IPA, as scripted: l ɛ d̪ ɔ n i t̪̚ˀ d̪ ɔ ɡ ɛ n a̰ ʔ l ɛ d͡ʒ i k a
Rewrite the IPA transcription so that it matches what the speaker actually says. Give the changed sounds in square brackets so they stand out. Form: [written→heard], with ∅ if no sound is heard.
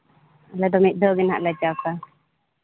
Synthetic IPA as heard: l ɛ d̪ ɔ [n→m] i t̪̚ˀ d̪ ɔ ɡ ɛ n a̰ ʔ l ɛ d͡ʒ [i→a] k a

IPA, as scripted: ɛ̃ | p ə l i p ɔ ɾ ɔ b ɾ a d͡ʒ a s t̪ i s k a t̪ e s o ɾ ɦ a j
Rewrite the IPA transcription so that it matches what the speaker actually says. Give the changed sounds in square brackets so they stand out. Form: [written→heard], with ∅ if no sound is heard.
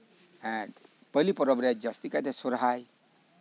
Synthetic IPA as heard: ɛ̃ | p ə l i p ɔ ɾ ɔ b ɾ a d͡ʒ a s t̪ i [s→∅] k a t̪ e s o ɾ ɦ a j

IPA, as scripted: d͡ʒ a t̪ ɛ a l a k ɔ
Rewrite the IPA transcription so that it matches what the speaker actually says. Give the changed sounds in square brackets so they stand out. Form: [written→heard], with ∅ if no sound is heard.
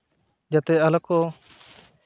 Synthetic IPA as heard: d͡ʒ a t̪ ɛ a l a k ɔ

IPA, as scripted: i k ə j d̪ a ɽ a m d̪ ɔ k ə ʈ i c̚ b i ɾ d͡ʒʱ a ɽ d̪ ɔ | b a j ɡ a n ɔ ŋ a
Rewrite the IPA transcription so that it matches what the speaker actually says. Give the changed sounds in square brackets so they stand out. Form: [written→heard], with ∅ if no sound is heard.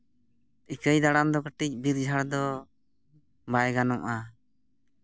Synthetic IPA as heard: i k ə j d̪ a ɽ a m d̪ ɔ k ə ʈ i c̚ b i ɾ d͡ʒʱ a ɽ d̪ ɔ | b a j ɡ a n ɔ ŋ a

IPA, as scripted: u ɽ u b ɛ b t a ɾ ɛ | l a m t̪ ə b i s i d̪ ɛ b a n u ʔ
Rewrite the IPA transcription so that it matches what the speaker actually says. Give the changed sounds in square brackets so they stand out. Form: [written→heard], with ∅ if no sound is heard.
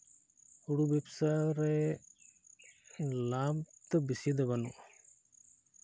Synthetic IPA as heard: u ɽ u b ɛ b [t→s] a ɾ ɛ | l a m t̪ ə b i s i d̪ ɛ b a n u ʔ

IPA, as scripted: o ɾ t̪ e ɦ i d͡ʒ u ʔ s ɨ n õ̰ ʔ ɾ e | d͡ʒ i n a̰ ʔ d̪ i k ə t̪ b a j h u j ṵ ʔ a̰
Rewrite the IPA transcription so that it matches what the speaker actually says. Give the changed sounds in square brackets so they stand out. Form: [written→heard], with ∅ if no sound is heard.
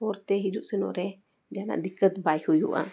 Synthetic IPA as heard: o ɾ t̪ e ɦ i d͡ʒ u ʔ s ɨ n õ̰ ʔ ɾ e | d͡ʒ [i→a] n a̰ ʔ d̪ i k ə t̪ b a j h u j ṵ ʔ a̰

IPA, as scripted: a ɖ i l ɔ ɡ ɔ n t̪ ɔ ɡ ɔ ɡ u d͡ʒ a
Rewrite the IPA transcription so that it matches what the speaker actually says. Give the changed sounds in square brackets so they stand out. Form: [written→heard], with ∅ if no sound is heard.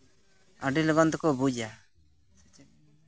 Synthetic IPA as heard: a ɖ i l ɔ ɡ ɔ n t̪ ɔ [ɡ→k] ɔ [ɡ→b] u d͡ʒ a

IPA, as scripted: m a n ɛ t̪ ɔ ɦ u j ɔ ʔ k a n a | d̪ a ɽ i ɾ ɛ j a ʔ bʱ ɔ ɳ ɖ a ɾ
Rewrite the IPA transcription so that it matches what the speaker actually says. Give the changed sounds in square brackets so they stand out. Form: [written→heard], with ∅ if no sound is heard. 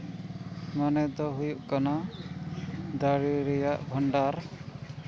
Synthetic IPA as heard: m a n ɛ [t̪→d̪] ɔ ɦ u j [ɔ→u] ʔ k a n a | d̪ a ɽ i ɾ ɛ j a ʔ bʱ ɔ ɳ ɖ a ɾ

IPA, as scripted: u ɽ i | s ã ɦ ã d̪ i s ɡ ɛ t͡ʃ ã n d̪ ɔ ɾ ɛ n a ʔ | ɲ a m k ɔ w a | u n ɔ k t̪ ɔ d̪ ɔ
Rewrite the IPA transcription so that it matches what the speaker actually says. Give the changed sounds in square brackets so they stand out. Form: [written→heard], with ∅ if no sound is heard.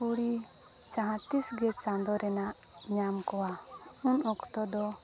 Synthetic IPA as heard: u ɽ i | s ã ɦ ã [d̪→t̪] i s ɡ ɛ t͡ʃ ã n d̪ ɔ ɾ ɛ n a ʔ | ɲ a m k ɔ w a | u n ɔ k t̪ ɔ d̪ ɔ

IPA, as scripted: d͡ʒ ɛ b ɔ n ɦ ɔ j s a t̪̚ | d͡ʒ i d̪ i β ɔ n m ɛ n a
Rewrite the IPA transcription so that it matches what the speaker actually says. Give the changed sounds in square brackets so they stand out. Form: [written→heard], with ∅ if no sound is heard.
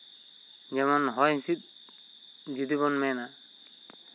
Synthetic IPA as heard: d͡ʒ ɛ [b→m] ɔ n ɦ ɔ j s [a→i] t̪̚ | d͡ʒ i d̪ i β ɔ n m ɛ n a

